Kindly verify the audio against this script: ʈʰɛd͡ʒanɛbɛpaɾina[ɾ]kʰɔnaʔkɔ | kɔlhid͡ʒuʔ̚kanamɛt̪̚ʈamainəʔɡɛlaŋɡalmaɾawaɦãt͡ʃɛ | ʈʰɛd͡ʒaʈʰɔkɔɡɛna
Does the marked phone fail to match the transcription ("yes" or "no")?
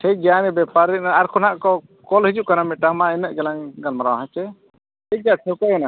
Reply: no